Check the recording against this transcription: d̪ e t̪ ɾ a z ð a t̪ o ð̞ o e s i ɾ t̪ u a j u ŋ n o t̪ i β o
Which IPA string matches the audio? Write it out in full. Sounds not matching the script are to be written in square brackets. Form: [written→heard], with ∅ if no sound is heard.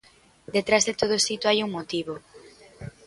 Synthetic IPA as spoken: d̪ e t̪ ɾ a z ð [a→e] t̪ o ð̞ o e s i [ɾ→∅] t̪ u a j u ŋ [n→m] o t̪ i β o